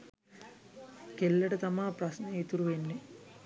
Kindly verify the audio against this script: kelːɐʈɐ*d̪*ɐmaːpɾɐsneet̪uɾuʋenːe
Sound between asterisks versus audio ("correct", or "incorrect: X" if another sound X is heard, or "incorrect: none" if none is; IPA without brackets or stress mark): incorrect: t̪